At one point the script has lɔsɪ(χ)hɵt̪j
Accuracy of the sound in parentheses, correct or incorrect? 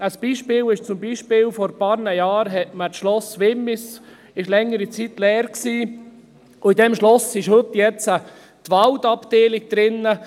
incorrect